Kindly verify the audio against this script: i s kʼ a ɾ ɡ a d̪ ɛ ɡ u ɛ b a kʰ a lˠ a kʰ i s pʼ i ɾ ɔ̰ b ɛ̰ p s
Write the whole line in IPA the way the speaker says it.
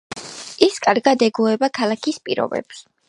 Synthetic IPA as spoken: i s kʼ a ɾ ɡ a d̪ ɛ ɡ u ɛ b a kʰ a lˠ a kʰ i s pʼ i ɾ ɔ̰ b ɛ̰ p s

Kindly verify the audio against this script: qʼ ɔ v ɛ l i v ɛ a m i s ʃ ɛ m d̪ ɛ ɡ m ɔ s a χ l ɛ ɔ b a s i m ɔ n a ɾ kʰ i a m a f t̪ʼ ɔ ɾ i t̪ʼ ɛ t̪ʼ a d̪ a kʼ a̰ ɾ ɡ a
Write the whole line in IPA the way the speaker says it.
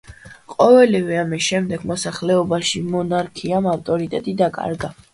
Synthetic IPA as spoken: qʼ ɔ v ɛ l i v ɛ a m i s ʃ ɛ m d̪ ɛ ɡ m ɔ s a χ l ɛ ɔ b a ʃ i m ɔ n a ɾ kʰ i a m a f t̪ʼ ɔ ɾ i t̪ʼ ɛ t̪ʼ i d̪ a kʼ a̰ ɾ ɡ a

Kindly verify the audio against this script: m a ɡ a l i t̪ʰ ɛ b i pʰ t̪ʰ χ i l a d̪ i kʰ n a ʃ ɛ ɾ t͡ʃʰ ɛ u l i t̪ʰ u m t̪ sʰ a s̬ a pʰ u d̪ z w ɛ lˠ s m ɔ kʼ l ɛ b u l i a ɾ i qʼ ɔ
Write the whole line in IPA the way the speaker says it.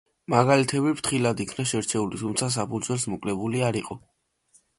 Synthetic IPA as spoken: m a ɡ a l i t̪ʰ ɛ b i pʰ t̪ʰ χ i l a d̪ i kʰ n a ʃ ɛ ɾ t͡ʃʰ ɛ u l i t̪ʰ u m t̪ sʰ a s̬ a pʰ u d̪ z w ɛ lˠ s m ɔ kʼ l ɛ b u l i a ɾ i qʼ ɔ

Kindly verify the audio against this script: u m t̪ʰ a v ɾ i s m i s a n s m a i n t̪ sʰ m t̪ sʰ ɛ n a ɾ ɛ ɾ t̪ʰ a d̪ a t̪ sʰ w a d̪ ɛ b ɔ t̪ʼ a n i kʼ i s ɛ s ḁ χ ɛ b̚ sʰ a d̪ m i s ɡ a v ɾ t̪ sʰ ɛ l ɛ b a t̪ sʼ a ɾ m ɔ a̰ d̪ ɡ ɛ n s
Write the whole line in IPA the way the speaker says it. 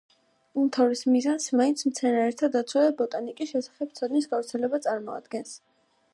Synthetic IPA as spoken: u m t̪ʰ a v ɾ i s m i z a n s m a i n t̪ sʰ m t̪ sʰ ɛ n a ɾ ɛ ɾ t̪ʰ a d̪ a t̪ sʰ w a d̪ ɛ b ɔ t̪ʼ a n i kʼ i ʃ ɛ s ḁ χ ɛ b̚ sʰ a d̪ m i s ɡ a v ɾ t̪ sʰ ɛ l ɛ b a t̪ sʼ a ɾ m ɔ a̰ d̪ ɡ ɛ n s

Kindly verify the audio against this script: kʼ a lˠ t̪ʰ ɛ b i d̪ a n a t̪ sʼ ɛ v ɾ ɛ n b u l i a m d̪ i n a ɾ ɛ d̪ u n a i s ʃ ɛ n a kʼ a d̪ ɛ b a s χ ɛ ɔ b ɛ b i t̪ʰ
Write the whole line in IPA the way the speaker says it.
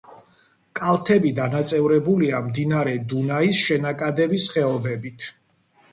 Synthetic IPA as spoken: kʼ a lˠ t̪ʰ ɛ b i d̪ a n a t̪ sʼ ɛ v ɾ ɛ b u l i a m d̪ i n a ɾ ɛ d̪ u n a i s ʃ ɛ n a kʼ a d̪ ɛ b i s χ ɛ ɔ b ɛ b i t̪ʰ

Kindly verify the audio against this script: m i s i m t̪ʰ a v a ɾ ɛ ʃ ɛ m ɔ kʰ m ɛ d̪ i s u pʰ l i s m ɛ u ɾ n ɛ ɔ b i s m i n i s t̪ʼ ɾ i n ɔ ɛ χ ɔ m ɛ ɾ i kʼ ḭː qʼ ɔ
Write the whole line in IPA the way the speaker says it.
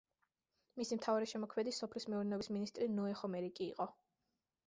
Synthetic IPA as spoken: m i s i m t̪ʰ a v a ɾ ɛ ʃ ɛ m ɔ kʰ m ɛ d̪ i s ɔ pʰ l i s m ɛ u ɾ n ɛ ɔ b i s m i n i s t̪ʼ ɾ i n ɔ ɛ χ ɔ m ɛ ɾ i kʼ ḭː qʼ ɔ

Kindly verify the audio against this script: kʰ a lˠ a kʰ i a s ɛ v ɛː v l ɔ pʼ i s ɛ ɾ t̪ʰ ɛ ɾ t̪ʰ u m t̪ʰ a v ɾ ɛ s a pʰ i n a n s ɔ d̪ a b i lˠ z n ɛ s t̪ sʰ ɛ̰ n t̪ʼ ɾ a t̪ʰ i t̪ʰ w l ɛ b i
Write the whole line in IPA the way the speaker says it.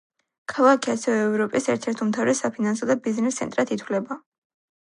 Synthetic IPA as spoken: kʰ a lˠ a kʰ i a s ɛ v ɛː v ɾ ɔ pʼ i s ɛ ɾ t̪ʰ ɛ ɾ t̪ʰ u m t̪ʰ a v ɾ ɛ s a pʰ i n a n s ɔ d̪ a b i z n ɛ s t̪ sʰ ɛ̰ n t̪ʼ ɾ a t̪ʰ i t̪ʰ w l ɛ b a

